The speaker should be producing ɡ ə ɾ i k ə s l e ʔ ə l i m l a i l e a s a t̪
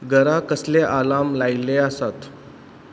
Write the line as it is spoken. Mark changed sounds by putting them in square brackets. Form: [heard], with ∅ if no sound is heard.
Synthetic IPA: ɡ ə ɾ [a] k ə s l e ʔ [a] l [a] m l a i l e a s a t̪